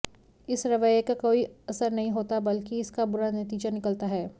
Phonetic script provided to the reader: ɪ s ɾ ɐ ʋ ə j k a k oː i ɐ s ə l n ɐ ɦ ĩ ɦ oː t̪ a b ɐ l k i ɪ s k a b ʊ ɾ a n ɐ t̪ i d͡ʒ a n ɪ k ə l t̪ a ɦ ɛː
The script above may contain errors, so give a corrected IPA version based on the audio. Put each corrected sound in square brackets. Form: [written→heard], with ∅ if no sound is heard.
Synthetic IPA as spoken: ɪ s ɾ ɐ ʋ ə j k a k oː i ɐ s ə [l→ɾ] n ɐ ɦ ĩ ɦ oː t̪ a b ɐ l k i ɪ s k a b ʊ ɾ a n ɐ t̪ [i→iː] d͡ʒ a n ɪ k ə l t̪ a ɦ ɛː